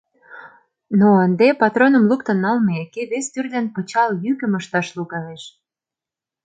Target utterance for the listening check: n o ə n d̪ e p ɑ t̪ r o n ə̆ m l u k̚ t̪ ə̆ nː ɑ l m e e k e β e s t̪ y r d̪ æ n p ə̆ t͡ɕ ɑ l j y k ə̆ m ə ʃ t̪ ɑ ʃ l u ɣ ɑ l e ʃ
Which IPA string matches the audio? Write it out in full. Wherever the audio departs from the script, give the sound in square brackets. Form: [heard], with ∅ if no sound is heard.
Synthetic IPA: n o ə n d̪ e p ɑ t̪ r o n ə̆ m l u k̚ t̪ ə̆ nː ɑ l m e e k e β e s t̪ y r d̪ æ n p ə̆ t͡ɕ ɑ l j y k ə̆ m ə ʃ t̪ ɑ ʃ l u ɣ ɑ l e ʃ